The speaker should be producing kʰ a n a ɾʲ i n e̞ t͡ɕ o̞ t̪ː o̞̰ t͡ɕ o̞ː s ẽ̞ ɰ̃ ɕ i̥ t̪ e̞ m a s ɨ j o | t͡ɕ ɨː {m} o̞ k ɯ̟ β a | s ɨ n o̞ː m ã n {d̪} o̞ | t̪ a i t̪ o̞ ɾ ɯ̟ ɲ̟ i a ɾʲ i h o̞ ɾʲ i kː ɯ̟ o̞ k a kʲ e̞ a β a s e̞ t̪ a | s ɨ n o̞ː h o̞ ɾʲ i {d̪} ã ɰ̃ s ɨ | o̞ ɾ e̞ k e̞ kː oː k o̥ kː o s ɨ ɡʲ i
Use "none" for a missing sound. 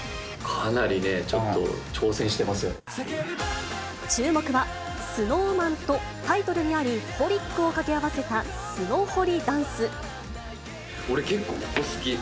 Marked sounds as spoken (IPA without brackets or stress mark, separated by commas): m, t̪, d̪